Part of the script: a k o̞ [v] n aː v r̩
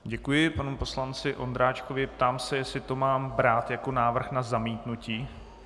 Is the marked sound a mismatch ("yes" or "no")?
yes